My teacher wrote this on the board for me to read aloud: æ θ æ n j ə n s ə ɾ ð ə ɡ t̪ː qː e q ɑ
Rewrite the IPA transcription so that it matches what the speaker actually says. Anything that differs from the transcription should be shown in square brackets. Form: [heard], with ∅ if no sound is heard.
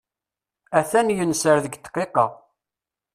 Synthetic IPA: æ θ æ n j ə n s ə ɾ ð ə ɡ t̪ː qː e q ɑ